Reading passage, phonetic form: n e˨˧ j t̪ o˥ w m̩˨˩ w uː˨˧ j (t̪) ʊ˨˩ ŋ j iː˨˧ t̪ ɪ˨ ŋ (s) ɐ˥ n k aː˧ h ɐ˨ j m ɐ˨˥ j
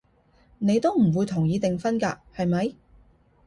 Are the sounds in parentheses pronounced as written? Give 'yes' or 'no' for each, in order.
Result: no, no

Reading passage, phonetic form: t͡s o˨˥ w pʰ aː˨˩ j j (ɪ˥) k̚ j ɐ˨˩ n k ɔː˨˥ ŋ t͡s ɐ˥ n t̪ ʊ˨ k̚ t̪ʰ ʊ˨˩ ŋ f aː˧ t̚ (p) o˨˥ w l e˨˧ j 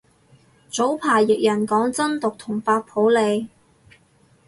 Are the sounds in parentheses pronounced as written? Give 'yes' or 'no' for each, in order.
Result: no, no

